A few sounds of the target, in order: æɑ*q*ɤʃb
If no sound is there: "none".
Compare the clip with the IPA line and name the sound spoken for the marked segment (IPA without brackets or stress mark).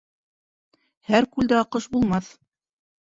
q